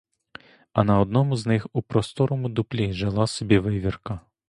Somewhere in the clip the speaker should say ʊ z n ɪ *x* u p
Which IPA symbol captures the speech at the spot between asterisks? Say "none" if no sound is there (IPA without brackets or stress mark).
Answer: x